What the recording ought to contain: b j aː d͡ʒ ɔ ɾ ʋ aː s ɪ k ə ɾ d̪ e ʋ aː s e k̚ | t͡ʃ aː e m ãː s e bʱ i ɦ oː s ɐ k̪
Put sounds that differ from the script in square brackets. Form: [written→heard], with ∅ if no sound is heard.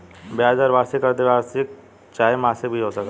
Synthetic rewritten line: b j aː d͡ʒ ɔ ɾ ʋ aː s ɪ k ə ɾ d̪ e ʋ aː s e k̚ | t͡ʃ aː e m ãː s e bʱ i ɦ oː s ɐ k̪